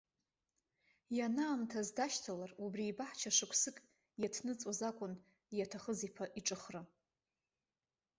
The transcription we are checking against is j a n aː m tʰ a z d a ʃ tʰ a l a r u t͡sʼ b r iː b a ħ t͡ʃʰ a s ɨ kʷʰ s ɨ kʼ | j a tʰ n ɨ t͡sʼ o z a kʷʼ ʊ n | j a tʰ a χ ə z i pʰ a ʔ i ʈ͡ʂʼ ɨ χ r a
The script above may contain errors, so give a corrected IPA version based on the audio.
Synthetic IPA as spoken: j a n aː m tʰ a z d a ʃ tʰ a l a r u b r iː b a ħ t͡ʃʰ a ʂ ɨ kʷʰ s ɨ kʼ | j a tʰ n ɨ t͡sʼ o z a kʷʼ ʊ n | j a tʰ a χ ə z i pʰ a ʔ i ʈ͡ʂʼ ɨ χ r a